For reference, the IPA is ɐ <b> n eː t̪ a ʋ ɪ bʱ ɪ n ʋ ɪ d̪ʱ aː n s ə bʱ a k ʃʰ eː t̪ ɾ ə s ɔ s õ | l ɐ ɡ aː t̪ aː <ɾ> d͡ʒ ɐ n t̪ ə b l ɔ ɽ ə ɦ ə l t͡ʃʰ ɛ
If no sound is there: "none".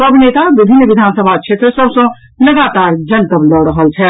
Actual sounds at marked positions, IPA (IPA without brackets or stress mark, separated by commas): b, ɾ